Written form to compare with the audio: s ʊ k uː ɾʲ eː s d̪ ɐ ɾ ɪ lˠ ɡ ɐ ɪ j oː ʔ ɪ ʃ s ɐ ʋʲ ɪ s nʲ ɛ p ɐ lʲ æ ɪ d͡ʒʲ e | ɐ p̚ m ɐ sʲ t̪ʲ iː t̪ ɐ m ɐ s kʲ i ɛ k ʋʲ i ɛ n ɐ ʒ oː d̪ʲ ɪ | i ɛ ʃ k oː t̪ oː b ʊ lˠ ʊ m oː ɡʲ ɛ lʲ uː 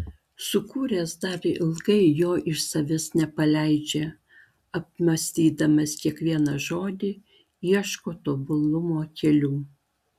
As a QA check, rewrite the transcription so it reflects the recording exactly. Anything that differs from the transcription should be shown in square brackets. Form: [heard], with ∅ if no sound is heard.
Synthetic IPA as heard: s ʊ k uː ɾʲ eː s d̪ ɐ ɾ ɪ lˠ ɡ ɐ ɪ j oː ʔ ɪ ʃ s ɐ ʋʲ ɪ s nʲ ɛ p ɐ lʲ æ ɪ d͡ʒʲ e | ɐ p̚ m ɐ sʲ t̪ʲ iː [d̪] ɐ m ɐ s kʲ i ɛ k ʋʲ i ɛ n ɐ ʒ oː d̪ʲ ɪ | i ɛ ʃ k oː t̪ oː b ʊ lˠ ʊ m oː [kʲ] ɛ lʲ uː